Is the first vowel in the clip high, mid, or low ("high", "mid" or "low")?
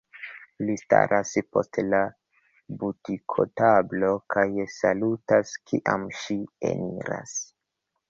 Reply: high